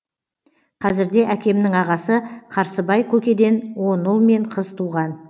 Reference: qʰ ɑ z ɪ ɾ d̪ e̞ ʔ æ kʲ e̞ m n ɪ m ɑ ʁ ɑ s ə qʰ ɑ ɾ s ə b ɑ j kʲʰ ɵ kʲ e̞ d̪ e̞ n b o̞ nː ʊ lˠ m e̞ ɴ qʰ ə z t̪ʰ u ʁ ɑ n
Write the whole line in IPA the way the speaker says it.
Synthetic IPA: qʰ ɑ z ɪ ɾ d̪ e̞ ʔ æ kʲ e̞ m n ɪ ŋ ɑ ʁ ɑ s ə qʰ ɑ ɾ s ə b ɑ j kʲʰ ɵ kʲ e̞ d̪ e̞ n w o̞ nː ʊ lˠ m e̞ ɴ qʰ ə z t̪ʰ u ʁ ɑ n